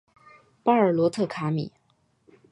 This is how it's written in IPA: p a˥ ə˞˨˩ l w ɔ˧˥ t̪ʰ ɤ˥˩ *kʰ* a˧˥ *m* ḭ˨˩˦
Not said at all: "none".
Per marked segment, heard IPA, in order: kʰ, m

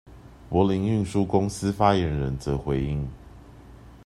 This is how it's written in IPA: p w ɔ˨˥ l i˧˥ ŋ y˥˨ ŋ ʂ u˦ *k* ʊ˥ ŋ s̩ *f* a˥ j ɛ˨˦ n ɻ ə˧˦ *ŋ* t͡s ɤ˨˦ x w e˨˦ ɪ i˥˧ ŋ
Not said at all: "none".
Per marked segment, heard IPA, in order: k, f, n

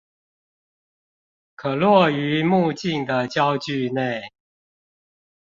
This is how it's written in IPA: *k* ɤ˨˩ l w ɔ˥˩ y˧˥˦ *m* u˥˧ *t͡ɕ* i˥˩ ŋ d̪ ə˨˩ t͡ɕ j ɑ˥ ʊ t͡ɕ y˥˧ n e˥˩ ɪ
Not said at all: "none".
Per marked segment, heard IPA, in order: kʰ, m, t͡ɕ

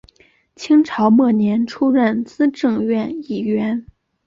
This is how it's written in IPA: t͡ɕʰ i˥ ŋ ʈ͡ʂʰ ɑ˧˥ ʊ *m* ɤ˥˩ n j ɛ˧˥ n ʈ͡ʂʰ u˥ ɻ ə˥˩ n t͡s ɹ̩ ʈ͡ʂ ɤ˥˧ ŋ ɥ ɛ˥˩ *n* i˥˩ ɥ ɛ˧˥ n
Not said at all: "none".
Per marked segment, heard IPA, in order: m, n

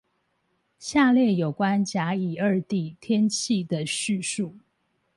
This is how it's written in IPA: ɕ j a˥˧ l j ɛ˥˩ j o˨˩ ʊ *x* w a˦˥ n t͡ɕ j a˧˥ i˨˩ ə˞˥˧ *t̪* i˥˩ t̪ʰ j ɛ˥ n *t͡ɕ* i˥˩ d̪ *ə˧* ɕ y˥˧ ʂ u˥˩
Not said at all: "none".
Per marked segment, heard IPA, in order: k, t̪, t͡ɕʰ, ə˩

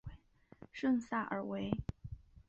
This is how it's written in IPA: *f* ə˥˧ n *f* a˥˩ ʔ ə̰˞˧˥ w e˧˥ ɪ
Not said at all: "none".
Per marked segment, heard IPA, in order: ʂ, s

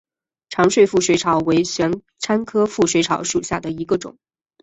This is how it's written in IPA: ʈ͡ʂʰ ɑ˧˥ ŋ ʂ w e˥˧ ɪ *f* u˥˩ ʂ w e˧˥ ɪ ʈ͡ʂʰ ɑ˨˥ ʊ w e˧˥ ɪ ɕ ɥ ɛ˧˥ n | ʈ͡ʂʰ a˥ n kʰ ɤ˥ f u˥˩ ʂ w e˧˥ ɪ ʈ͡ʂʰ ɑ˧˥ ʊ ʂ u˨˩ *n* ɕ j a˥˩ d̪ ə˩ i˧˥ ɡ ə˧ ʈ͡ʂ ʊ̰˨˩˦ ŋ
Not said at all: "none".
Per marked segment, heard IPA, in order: f, none

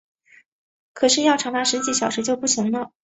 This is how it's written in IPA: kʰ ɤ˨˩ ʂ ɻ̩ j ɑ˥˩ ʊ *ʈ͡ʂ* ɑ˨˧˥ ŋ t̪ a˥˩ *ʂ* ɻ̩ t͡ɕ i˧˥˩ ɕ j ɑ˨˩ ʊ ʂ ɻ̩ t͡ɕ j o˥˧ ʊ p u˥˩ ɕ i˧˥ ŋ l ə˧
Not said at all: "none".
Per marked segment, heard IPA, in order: ʈ͡ʂʰ, ʂ

